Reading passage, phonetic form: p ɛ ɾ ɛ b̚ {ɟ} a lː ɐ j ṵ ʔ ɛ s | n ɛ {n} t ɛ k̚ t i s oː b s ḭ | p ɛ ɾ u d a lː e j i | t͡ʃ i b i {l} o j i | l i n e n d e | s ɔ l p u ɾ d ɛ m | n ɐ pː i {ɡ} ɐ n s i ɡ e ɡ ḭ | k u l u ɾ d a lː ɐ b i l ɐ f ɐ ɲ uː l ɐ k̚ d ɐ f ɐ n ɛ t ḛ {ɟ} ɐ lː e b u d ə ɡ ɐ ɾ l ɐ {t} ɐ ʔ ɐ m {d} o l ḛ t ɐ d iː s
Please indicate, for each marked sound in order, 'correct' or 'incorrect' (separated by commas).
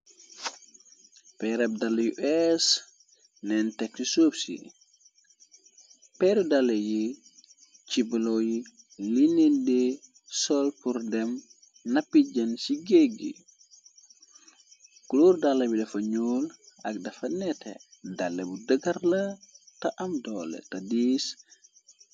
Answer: incorrect, correct, correct, incorrect, incorrect, correct, correct